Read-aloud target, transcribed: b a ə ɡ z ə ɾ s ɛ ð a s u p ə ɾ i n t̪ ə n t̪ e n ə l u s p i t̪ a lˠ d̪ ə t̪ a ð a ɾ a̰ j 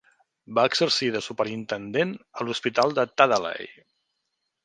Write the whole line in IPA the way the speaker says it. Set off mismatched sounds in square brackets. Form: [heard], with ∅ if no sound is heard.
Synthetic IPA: b a ə ɡ z ə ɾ s [i] ð [ə] s u p ə ɾ i n t̪ ə n [d̪] e n ə l u s p i t̪ a lˠ d̪ ə t̪ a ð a [l] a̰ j